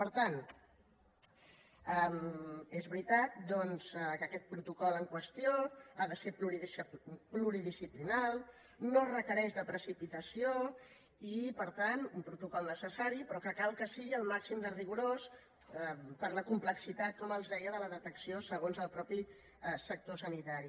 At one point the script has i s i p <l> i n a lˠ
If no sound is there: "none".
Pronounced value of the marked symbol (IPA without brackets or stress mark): l